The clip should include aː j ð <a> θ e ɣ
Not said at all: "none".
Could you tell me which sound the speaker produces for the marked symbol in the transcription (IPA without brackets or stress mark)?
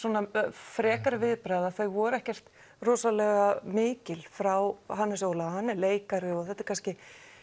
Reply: a